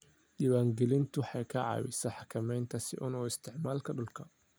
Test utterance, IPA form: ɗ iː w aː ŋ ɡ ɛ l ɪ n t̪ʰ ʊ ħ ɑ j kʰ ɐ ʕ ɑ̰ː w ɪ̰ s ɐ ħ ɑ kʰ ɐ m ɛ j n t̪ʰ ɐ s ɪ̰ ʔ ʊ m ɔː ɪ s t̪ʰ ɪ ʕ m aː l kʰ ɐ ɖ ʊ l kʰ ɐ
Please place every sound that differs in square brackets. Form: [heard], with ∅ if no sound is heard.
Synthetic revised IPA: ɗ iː w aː ŋ ɡ ɛ l ɪ n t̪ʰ ʊ ħ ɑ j kʰ ɐ ʕ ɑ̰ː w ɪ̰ s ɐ ħ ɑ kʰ ɐ m ɛ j n t̪ʰ ɐ s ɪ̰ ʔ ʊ [n] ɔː ɪ s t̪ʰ ɪ ʕ m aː l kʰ ɐ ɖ ʊ l kʰ ɐ